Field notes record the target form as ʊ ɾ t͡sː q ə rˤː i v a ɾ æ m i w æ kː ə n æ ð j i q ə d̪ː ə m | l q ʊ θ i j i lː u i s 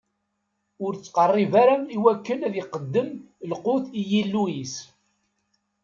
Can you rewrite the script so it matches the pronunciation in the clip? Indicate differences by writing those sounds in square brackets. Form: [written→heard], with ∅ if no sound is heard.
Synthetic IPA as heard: ʊ ɾ t͡sː q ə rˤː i v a ɾ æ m i w æ kː ə n æ ð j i q ə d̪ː ə m | l q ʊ θ i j i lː u i s